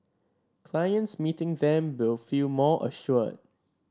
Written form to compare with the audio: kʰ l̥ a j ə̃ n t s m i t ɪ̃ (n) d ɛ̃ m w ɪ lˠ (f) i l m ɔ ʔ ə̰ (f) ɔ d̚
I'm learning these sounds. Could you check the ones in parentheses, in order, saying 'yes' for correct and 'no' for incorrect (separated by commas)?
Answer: no, yes, no